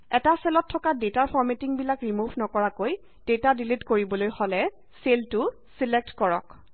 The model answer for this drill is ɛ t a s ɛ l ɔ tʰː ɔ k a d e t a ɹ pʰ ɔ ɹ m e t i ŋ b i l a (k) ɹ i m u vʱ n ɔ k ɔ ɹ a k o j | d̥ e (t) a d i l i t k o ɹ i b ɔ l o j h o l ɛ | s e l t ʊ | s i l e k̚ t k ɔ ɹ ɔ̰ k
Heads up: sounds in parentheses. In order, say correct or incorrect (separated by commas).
correct, correct